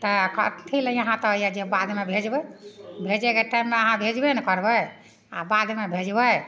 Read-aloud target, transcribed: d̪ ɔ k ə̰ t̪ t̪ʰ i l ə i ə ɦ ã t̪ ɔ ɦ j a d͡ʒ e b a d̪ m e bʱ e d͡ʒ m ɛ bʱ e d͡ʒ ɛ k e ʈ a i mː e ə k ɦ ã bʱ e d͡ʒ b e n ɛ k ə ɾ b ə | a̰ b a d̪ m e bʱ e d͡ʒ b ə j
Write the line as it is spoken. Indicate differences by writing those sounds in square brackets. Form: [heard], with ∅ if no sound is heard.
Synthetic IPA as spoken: [t̪] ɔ k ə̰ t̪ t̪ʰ i l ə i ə ɦ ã t̪ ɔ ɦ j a d͡ʒ e b a d̪ m e bʱ e d͡ʒ [b] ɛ bʱ e d͡ʒ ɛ k e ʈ a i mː e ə [∅] ɦ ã bʱ e d͡ʒ b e n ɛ k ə ɾ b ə | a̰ b a d̪ m e bʱ e d͡ʒ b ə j